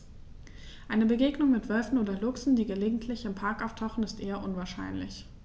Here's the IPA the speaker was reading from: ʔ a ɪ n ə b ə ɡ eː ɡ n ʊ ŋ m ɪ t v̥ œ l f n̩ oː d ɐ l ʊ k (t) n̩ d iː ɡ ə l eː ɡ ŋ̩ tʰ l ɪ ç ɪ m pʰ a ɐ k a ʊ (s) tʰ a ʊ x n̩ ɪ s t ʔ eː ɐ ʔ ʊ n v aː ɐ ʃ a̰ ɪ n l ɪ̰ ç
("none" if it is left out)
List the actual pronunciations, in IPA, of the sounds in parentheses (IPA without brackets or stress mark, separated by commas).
s, f